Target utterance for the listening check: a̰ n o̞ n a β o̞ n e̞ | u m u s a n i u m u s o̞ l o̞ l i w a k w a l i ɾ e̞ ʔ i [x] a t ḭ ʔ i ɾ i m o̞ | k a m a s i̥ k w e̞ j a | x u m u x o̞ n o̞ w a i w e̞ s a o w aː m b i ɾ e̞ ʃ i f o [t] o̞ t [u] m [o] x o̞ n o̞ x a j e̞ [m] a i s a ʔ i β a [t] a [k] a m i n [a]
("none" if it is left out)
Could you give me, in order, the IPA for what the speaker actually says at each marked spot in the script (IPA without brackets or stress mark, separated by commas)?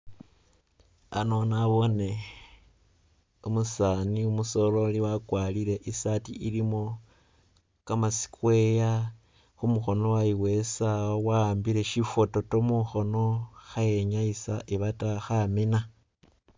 s, t, o, u, ɲ, t, x, a